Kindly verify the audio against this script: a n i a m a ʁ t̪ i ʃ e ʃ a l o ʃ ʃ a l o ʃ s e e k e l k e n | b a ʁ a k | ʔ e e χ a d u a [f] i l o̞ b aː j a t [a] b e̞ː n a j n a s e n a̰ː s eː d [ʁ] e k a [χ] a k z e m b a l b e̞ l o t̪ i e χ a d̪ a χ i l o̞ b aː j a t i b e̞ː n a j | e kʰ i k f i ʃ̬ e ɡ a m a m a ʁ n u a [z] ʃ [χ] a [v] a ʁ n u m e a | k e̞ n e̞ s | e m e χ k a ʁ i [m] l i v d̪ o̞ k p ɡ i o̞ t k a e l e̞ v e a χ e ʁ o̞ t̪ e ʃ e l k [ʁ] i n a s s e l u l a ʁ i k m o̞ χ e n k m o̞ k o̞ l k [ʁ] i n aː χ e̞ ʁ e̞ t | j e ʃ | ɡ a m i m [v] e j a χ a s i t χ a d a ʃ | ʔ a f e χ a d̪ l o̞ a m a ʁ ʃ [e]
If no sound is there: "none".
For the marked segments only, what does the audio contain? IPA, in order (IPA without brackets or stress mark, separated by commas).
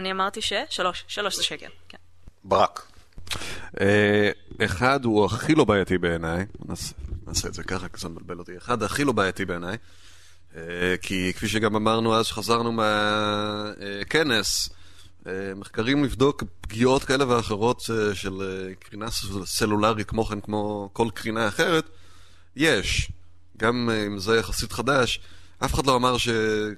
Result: χ, i, z, χ, z, χ, z, m, ʁ, ʁ, z, e